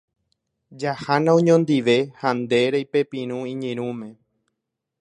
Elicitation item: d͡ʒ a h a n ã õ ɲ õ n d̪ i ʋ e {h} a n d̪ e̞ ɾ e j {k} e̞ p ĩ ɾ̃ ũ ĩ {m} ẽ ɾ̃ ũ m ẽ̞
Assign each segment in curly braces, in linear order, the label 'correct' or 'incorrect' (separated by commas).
correct, incorrect, incorrect